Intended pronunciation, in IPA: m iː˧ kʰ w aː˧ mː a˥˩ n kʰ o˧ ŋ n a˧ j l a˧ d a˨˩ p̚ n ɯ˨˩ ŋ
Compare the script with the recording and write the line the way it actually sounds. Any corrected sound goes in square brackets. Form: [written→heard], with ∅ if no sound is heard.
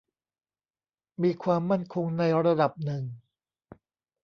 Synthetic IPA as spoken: m iː˧ kʰ w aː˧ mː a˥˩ n kʰ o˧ ŋ n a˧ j [l→ɾ] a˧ d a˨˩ p̚ n ɯ˨˩ ŋ